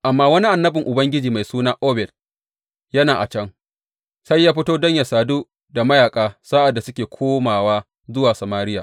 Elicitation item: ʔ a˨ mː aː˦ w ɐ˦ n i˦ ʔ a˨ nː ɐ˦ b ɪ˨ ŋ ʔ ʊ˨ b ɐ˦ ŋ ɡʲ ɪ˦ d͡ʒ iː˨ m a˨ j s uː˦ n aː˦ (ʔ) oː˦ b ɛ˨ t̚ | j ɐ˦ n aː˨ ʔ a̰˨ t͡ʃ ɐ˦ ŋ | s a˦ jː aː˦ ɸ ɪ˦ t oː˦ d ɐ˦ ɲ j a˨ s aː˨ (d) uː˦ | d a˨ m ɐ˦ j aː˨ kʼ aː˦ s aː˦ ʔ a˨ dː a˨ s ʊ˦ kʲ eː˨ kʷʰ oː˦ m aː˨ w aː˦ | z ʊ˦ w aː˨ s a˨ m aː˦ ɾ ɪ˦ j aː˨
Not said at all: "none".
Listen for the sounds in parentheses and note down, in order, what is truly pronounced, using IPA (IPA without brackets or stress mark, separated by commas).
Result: ʔ, d